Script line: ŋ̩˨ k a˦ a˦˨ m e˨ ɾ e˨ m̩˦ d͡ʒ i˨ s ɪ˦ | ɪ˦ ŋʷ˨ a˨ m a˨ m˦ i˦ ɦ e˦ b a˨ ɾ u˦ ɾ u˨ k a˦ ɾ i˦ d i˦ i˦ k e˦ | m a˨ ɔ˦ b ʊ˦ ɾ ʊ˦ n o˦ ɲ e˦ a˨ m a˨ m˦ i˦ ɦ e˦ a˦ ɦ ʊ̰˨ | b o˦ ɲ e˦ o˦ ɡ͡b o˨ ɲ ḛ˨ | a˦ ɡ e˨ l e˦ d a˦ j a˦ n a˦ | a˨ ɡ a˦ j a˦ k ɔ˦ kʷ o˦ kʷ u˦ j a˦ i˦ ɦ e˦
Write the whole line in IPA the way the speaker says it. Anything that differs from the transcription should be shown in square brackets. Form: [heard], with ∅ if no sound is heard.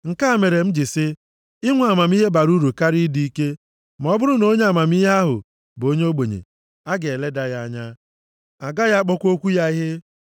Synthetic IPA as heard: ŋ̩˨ k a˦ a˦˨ m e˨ ɾ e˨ m̩˦ d͡ʒ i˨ s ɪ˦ | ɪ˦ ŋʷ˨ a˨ m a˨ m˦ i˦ ɦ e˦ b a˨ ɾ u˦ ɾ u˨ k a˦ ɾ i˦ d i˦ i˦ k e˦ | m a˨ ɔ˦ b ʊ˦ ɾ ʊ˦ n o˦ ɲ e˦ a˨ m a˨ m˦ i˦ ɦ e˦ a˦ ɦ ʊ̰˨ | b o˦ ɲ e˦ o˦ ɡ͡b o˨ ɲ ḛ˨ | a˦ ɡ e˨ l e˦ d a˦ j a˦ [ɲ] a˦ | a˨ ɡ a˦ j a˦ [k͡p] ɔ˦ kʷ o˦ kʷ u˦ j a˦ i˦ ɦ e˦